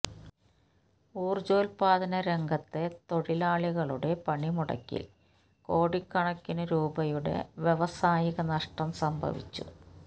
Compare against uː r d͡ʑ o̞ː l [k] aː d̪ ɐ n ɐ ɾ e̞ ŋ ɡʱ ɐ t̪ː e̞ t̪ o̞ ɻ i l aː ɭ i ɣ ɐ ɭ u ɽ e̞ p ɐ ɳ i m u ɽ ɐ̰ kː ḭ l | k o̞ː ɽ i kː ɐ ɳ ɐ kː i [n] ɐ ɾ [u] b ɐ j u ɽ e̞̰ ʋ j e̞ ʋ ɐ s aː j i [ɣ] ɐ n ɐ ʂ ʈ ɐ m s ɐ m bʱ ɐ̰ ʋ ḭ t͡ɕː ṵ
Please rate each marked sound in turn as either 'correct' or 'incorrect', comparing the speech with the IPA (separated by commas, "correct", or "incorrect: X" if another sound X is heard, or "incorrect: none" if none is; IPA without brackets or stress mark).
incorrect: p, correct, incorrect: uː, correct